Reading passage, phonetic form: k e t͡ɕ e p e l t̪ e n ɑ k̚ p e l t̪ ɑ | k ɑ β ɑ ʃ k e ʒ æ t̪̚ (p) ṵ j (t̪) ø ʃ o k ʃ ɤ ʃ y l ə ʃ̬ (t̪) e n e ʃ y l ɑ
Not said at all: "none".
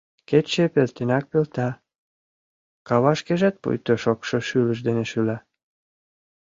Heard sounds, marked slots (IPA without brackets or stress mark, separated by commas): p, t̪, d̪